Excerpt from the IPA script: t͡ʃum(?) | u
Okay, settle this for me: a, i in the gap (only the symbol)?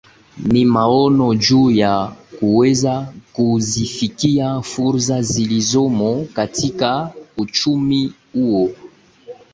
i